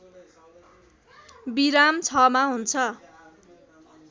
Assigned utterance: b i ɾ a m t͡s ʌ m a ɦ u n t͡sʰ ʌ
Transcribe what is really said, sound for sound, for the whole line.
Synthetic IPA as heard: b i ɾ a m t͡sʰ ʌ m a ɦ u n t͡sʰ ʌ

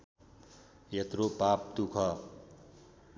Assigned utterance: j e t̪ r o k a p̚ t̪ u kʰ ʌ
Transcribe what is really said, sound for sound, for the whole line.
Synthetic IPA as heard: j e t̪ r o p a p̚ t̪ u kʰ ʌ

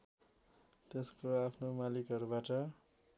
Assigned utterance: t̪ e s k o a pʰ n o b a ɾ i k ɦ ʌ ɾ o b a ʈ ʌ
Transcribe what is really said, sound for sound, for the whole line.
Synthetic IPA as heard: t̪ e s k o a pʰ n o m a l i k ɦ ʌ ɾ u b a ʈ ʌ

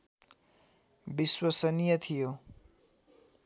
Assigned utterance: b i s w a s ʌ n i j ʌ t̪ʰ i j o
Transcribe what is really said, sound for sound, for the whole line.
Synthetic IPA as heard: b i s w ʌ s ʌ n i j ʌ t̪ʰ i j o

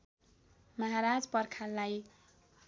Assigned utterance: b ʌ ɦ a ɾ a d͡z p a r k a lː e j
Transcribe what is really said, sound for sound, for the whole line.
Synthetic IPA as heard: m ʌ ɦ a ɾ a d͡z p ʌ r kʰ a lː a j

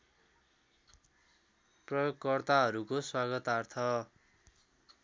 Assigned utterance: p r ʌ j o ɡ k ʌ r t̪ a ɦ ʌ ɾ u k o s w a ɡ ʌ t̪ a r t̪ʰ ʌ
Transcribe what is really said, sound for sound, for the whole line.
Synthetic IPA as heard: p r ʌ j o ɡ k ʌ r t̪ a ɦ ʌ ɾ u k o s w a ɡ ʌ t̪ a r t̪ʰ ʌ

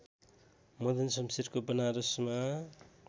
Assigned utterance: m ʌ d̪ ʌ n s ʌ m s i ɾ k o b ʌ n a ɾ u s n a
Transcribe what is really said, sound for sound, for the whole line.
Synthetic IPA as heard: m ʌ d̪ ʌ n s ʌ m s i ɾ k o b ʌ n a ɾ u s m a

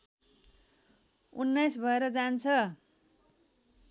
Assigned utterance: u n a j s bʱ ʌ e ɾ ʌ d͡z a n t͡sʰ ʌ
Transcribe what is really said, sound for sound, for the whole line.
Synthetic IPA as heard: u nː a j s bʱ ʌ e ɾ ʌ d͡z a n t͡sʰ ʌ

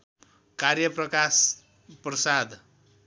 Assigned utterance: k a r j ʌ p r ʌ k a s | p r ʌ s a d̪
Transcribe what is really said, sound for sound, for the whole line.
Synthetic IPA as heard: k a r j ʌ p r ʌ k a s | p r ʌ s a d̪

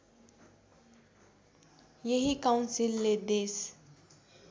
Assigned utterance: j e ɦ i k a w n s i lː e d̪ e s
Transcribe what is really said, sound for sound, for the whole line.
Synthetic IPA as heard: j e ɦ i k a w n s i lː e d̪ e s

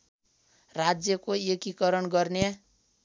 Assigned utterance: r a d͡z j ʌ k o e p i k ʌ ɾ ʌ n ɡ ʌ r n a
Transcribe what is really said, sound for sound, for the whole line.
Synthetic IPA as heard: r a d͡z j ʌ k o e k i k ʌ ɾ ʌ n ɡ ʌ r n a

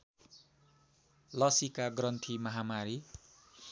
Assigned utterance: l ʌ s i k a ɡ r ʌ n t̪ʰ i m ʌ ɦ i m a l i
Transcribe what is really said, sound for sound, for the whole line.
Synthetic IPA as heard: l ʌ s i k a ɡ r ʌ n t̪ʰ i m ʌ ɦ a m a ɾ i

